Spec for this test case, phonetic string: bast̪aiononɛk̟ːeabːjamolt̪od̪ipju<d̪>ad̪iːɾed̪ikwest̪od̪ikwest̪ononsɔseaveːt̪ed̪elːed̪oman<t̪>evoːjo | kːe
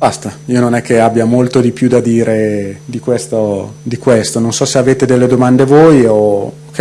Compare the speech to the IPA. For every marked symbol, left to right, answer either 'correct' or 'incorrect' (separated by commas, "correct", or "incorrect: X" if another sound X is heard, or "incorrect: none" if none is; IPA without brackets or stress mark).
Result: correct, incorrect: d̪